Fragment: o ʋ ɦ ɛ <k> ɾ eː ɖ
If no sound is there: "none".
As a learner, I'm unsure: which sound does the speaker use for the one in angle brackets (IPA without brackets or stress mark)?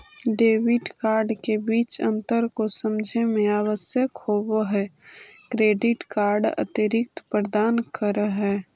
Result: k